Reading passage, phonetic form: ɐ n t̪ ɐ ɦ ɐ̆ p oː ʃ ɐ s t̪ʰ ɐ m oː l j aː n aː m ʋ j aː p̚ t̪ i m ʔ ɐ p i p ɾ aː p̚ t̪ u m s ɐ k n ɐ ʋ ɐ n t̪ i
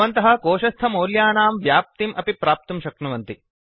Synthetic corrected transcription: ɐ n t̪ ɐ ɦ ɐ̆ k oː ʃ ɐ s t̪ʰ ɐ m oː l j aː n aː m ʋ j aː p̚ t̪ i m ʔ ɐ p i p ɾ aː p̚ t̪ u m ʃ ɐ k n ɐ ʋ ɐ n t̪ i